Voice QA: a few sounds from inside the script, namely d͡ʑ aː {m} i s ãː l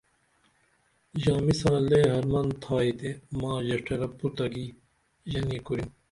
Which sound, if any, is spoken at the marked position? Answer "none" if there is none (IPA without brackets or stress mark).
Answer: m